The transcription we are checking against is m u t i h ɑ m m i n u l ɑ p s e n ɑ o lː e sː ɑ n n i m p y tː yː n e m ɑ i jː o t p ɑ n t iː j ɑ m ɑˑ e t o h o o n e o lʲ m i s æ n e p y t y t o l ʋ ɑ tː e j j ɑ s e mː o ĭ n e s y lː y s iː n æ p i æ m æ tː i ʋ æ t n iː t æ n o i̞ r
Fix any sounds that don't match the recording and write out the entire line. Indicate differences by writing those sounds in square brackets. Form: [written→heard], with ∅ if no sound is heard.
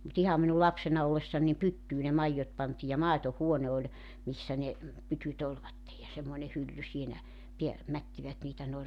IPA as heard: m u t i h ɑ m m i n u l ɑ p s e n ɑ o lː e sː ɑ n n i m p y tː yː n e m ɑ i jː o t p ɑ n t iː j ɑ m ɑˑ e t o h [o→u] o n e o lʲ m i [s→sː] æ n e p y t y t o l ʋ ɑ tː e j j ɑ s e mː o ĭ n e [s→h] y lː y s iː n æ p i æ m æ tː i ʋ æ t n iː t æ n o i̞ r